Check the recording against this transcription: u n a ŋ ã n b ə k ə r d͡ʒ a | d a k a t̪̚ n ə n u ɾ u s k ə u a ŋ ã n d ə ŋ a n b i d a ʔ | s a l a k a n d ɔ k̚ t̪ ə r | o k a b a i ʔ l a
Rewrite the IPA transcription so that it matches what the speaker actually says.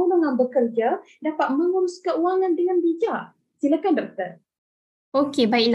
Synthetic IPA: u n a ŋ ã n b ə k ə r d͡ʒ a | d a p a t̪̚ m ə ŋ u ɾ u s k ə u a ŋ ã n d ə ŋ a n b i d͡ʒ a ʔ | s i l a k a n d ɔ k̚ t̪ ə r | o k e b a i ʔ l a